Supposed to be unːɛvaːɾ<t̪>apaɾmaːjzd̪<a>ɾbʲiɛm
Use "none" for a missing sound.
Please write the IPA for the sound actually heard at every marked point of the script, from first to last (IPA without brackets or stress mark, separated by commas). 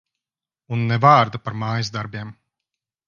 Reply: d̪, a